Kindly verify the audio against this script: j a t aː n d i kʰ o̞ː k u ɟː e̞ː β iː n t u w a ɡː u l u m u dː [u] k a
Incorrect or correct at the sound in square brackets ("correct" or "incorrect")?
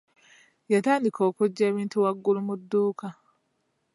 incorrect